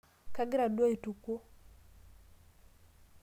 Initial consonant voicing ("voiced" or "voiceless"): voiceless